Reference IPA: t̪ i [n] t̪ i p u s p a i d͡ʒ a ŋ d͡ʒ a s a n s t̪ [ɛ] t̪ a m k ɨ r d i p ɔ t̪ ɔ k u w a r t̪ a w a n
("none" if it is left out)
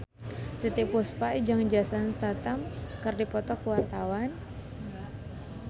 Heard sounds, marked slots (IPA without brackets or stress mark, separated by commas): none, a